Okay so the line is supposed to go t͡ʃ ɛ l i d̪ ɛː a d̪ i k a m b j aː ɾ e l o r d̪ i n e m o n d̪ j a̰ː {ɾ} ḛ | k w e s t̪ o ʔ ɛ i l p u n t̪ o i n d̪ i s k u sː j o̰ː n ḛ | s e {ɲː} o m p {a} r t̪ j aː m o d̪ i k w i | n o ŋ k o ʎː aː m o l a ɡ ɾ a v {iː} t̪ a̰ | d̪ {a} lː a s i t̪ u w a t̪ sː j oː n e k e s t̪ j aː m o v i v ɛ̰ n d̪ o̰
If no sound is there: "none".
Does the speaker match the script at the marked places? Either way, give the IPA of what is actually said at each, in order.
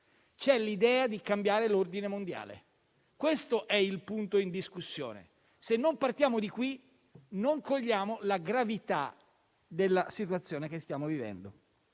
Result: l, nː, a, i, e

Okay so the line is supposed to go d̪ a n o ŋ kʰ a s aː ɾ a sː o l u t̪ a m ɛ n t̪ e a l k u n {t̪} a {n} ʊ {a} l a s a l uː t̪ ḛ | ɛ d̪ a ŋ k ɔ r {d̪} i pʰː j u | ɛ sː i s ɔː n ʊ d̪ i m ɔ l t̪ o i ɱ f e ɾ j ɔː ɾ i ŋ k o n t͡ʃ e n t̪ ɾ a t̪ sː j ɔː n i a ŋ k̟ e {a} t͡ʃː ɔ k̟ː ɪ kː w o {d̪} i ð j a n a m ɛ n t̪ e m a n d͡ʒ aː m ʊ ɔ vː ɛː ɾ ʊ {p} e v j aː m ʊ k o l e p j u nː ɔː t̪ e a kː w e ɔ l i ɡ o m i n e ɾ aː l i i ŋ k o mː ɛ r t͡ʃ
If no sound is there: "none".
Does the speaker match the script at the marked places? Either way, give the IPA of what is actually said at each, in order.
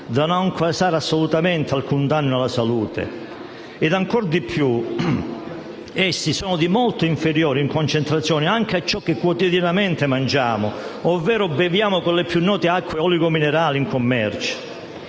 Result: d̪, nː, a, d̪, a, t̪, b

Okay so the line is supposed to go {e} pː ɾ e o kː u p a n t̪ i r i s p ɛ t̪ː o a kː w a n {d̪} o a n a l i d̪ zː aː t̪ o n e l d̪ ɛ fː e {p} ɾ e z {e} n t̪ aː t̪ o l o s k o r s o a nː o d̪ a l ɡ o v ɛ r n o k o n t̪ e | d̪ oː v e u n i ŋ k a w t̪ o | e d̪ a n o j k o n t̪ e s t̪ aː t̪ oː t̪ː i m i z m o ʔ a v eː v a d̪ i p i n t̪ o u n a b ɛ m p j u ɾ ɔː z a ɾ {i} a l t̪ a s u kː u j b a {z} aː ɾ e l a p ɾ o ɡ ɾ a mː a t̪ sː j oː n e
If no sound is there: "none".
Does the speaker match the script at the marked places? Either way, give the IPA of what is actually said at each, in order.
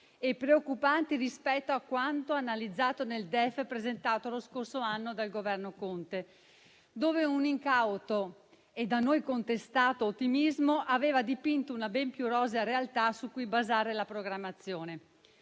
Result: e, t̪, p, e, e, z

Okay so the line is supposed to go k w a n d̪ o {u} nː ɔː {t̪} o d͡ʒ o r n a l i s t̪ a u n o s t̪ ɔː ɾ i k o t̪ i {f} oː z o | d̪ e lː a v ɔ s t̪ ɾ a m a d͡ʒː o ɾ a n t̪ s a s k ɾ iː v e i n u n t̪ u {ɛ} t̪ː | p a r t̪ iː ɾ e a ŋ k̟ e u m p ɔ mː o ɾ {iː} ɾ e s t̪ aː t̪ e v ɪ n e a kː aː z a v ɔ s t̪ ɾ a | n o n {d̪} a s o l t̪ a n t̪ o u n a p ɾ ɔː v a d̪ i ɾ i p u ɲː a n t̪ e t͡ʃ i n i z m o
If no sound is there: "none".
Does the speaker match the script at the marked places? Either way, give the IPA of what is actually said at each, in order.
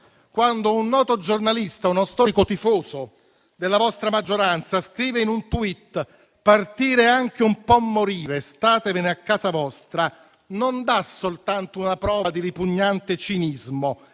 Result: u, t̪, f, i, iː, d̪

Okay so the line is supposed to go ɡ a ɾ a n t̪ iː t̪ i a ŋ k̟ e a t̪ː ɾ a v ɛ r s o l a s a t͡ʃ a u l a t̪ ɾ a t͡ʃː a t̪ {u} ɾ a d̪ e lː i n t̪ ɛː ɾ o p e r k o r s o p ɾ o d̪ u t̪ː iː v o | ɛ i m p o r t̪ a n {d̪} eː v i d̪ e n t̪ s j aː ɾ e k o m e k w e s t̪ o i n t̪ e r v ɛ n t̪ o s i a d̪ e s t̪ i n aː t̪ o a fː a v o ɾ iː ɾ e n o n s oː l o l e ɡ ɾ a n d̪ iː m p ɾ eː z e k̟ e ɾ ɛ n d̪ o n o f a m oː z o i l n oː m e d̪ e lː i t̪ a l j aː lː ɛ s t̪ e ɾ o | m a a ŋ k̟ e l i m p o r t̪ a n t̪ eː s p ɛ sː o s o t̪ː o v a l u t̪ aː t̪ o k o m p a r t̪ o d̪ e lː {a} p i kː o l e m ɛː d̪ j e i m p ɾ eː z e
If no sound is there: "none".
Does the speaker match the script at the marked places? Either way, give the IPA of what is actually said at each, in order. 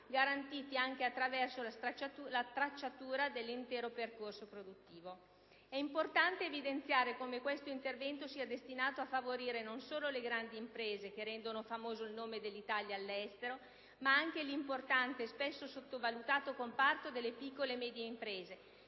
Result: uː, t̪, e

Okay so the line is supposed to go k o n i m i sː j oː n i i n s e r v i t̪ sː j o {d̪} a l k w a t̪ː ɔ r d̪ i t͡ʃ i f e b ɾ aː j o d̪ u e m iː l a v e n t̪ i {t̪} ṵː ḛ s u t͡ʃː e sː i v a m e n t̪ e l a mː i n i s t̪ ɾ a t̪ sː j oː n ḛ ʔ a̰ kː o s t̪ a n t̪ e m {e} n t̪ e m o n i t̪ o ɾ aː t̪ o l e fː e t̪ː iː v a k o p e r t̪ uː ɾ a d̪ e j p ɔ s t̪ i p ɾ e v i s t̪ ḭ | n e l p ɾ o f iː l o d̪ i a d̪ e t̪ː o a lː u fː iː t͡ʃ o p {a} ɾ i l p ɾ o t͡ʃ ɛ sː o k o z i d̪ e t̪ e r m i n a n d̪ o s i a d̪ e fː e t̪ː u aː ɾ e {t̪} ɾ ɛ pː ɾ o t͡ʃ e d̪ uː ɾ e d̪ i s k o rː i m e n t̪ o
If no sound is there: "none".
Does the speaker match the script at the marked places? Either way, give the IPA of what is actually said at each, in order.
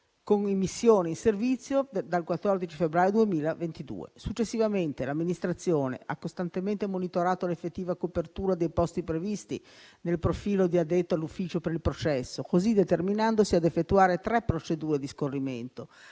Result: d̪, d̪, e, e, t̪

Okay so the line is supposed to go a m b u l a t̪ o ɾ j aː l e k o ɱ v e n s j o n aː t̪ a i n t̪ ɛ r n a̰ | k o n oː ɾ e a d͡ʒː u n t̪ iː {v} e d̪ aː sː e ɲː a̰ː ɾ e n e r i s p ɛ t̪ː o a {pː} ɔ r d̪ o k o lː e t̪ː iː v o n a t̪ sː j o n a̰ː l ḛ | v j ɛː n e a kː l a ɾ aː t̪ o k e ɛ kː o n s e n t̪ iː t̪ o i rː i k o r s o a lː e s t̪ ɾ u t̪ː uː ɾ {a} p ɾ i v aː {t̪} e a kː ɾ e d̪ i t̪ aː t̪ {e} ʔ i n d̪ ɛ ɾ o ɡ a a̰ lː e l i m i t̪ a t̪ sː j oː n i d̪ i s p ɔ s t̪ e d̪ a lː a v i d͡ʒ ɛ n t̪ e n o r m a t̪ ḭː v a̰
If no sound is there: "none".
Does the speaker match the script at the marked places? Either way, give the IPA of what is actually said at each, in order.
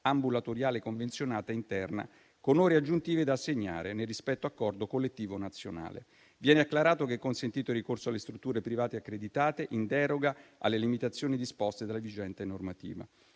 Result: v, kː, e, t̪, e

